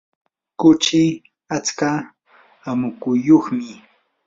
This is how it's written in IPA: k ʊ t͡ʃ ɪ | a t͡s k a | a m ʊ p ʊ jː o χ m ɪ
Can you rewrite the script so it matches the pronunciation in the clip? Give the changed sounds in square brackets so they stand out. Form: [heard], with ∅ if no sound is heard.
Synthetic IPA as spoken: k ʊ t͡ʃ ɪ | a t͡s k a | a m ʊ [k] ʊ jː o χ m ɪ